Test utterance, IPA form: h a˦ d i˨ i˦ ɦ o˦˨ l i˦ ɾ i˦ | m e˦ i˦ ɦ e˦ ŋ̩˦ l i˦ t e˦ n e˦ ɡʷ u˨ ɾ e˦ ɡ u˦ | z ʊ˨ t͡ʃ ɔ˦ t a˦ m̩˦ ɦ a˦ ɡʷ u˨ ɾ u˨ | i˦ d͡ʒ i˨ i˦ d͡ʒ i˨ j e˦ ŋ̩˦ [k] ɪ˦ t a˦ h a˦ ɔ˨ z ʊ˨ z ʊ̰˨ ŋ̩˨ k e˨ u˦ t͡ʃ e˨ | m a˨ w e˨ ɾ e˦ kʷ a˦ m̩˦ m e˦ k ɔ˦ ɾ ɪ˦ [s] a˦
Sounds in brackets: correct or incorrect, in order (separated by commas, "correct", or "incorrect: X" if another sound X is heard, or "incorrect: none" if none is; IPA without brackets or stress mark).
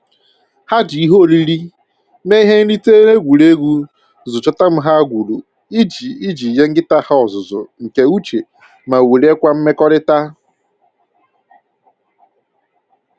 incorrect: ɡ, incorrect: t